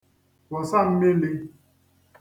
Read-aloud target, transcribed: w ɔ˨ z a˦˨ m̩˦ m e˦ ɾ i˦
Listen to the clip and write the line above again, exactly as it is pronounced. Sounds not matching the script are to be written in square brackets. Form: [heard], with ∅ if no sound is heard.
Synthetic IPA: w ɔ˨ [s] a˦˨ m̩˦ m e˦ [l] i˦